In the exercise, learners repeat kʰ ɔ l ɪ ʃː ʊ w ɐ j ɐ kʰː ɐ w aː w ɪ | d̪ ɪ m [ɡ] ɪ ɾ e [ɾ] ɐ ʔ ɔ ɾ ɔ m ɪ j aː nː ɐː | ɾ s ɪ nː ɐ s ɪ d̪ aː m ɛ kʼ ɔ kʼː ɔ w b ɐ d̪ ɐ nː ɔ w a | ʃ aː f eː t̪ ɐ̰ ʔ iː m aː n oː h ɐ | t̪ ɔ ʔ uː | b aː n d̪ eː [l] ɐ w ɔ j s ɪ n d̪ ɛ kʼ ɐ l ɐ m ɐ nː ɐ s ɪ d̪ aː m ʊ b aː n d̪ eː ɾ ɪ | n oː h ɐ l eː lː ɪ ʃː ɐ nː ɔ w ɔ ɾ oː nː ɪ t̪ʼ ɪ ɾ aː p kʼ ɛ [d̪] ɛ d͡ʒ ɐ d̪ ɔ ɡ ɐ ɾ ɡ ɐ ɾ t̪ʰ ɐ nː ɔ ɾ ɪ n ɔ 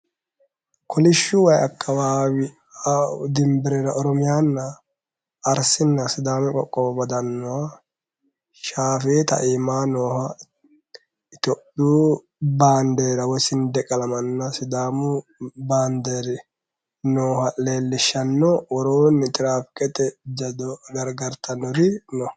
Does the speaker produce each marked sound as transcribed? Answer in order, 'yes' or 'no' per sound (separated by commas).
no, yes, no, no